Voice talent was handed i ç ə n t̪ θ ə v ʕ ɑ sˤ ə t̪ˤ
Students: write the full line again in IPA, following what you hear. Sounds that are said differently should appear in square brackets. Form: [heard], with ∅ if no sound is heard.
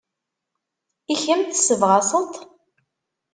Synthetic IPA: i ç ə [m] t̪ [s] ə v [ʁ] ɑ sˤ ə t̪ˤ